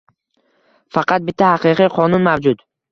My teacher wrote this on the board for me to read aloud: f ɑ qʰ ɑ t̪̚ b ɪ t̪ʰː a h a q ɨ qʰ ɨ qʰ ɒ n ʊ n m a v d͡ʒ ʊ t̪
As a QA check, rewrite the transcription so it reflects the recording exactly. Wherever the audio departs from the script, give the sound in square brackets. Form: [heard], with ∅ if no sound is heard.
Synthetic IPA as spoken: f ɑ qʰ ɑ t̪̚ b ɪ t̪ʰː a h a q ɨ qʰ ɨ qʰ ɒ n ʊ n m a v d͡ʒ ʊ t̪